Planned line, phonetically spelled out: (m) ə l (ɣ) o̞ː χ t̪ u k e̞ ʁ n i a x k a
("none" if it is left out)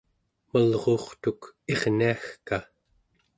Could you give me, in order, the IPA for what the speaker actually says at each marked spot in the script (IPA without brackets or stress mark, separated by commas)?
m, ʁ